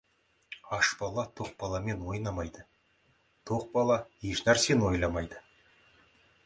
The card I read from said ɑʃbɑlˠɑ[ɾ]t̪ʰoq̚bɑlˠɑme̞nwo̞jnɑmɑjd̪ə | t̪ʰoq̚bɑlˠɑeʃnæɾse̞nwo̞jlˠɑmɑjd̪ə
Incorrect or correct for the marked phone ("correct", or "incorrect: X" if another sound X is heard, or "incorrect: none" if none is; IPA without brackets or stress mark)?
incorrect: none